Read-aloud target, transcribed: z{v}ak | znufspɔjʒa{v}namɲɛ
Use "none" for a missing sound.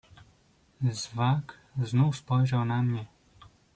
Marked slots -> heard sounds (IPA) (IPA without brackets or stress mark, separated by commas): v, w